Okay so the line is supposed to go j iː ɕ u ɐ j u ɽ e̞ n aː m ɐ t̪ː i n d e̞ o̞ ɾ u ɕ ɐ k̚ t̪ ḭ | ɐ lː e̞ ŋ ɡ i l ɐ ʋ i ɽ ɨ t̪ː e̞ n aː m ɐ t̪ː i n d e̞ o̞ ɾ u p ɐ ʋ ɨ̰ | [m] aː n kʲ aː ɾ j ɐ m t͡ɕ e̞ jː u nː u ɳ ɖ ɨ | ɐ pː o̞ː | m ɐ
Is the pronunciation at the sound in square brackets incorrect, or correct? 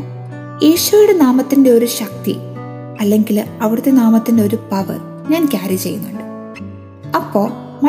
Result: incorrect